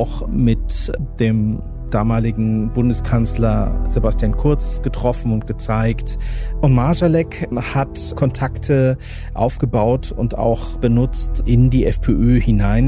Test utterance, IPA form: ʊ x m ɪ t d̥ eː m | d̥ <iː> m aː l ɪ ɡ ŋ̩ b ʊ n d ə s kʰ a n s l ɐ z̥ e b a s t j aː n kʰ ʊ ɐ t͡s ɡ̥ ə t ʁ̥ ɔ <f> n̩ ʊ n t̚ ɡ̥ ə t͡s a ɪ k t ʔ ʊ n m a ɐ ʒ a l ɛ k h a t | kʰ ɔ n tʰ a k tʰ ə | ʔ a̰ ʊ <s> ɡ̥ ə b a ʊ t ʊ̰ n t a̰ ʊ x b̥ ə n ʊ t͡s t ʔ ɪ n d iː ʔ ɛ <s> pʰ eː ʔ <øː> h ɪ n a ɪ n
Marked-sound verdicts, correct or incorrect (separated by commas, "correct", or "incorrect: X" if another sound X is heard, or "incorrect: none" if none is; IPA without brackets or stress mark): incorrect: aː, correct, incorrect: f, incorrect: f, correct